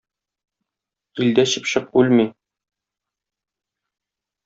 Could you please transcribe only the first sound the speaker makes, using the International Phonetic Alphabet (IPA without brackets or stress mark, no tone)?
i